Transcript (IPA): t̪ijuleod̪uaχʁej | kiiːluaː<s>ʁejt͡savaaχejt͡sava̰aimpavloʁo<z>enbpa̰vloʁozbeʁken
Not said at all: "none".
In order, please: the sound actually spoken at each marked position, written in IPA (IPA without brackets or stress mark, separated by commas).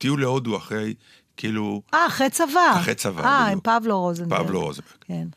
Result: χ, z